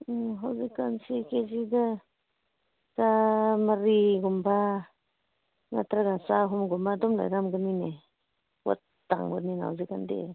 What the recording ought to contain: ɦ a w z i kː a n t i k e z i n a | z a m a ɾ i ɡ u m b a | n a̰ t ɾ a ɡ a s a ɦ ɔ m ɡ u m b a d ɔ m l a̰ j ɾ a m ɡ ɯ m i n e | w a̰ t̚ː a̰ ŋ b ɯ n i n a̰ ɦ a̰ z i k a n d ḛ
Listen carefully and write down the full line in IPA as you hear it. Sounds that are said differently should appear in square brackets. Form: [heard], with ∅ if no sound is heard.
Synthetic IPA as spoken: ɦ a w z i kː a n [s] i k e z i [d] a | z a m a ɾ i ɡ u m b a | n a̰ t ɾ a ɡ a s a ɦ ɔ m ɡ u m b a d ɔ m l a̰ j ɾ a m ɡ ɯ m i n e | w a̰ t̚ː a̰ ŋ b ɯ n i n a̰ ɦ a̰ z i k a n d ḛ